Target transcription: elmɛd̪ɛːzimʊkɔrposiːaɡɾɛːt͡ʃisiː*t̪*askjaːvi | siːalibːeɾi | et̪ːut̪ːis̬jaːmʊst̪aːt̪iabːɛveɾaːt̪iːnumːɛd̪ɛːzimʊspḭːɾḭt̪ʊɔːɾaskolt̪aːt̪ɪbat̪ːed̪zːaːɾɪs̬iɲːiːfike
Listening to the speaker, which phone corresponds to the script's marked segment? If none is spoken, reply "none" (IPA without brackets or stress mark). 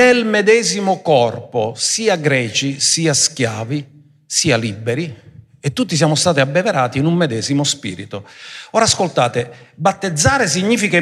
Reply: none